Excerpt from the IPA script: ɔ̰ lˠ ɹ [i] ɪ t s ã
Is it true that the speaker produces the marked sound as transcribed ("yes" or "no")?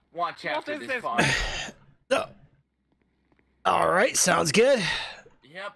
no